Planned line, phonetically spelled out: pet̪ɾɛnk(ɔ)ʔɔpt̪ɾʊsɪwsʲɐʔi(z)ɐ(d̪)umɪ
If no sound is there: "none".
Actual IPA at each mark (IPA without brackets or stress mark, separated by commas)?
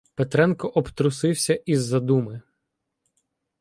ɔ, zː, d̪